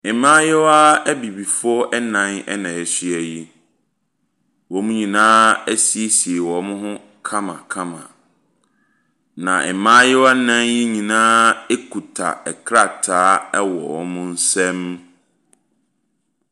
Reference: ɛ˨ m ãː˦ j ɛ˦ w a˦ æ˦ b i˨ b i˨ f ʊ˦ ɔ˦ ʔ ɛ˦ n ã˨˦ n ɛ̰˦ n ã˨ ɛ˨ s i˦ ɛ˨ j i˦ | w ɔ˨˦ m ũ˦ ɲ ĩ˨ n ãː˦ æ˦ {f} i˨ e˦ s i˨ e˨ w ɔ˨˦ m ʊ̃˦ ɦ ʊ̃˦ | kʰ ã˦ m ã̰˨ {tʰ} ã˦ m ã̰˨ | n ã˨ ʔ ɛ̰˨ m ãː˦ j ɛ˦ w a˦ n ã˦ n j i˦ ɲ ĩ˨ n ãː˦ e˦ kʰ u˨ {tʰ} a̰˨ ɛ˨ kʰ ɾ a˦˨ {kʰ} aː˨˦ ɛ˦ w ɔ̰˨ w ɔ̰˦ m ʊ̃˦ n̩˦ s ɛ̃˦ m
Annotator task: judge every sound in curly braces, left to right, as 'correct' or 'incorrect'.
incorrect: s, incorrect: kʰ, correct, incorrect: tʰ

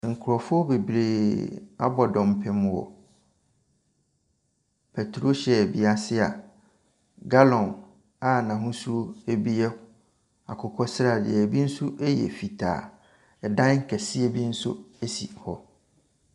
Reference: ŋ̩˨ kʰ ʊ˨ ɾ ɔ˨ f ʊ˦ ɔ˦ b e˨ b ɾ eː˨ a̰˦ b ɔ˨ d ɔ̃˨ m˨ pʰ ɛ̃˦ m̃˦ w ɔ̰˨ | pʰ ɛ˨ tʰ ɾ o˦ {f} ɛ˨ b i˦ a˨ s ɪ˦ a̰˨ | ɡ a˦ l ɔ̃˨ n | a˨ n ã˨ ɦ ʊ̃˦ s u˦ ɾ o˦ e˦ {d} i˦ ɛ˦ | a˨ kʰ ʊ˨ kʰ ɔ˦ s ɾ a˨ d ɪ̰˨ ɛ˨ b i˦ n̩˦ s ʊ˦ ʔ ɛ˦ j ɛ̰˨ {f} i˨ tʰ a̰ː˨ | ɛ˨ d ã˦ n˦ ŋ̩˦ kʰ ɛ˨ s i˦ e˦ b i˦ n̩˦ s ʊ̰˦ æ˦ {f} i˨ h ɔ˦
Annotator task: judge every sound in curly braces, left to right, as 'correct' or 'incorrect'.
incorrect: ɕ, incorrect: b, correct, incorrect: s

